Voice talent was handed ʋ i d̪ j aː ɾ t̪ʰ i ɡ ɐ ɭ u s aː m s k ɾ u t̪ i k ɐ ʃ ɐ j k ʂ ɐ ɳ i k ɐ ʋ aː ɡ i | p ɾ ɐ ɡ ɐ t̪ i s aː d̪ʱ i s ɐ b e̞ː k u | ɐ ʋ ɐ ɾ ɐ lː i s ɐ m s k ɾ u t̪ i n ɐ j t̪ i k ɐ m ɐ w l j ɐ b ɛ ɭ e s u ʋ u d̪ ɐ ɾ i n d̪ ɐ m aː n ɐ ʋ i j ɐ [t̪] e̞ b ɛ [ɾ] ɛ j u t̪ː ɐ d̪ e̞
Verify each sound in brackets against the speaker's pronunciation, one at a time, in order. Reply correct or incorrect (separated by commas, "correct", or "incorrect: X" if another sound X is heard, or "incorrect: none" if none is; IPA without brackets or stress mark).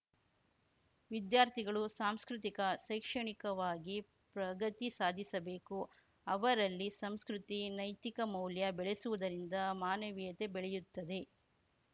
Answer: correct, incorrect: ɭ